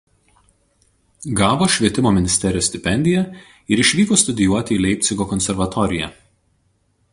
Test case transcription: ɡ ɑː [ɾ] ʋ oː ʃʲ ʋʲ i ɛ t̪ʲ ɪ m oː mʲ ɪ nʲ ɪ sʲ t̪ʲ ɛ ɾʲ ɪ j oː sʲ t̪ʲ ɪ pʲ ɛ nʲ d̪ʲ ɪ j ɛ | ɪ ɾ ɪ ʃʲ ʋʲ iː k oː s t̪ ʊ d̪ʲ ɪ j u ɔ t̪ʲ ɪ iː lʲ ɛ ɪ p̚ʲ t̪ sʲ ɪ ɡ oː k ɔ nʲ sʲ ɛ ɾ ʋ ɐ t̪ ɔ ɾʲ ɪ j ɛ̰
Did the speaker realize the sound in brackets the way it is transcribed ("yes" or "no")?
no